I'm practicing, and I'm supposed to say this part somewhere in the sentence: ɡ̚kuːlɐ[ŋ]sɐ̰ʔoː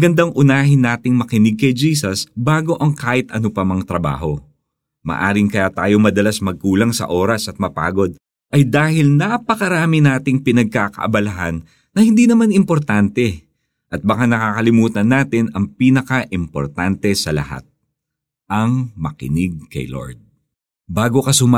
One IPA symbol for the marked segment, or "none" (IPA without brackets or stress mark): ŋ